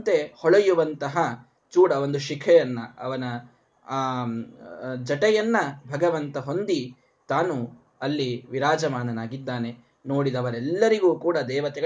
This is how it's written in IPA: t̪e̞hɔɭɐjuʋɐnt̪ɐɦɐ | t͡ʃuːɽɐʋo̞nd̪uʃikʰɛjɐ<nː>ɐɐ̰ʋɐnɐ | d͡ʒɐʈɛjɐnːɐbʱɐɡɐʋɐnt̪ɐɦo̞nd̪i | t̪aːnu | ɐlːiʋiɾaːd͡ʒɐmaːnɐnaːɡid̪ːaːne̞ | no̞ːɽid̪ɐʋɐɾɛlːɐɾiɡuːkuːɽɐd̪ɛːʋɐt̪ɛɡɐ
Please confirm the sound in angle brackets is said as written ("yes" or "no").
yes